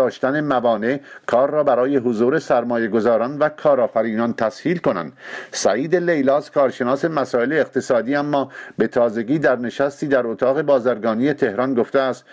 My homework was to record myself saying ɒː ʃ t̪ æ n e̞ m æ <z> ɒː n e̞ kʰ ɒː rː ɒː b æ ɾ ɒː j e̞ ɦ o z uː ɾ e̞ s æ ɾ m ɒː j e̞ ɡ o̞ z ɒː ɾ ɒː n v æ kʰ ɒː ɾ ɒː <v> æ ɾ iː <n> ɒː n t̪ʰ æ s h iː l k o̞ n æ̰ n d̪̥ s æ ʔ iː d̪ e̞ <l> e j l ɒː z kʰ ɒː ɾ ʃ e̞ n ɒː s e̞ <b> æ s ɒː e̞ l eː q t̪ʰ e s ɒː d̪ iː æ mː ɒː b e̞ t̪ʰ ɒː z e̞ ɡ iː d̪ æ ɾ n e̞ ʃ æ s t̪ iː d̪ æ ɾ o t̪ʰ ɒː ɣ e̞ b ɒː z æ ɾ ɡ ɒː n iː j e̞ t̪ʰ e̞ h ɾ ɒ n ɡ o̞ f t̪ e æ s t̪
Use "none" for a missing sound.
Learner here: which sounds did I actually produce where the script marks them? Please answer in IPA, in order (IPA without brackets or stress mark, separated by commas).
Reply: v, f, n, l, m